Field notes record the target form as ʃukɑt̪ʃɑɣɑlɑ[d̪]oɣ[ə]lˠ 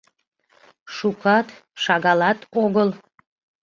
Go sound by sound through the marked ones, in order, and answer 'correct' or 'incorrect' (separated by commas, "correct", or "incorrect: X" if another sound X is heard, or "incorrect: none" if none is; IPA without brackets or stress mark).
incorrect: t̪, correct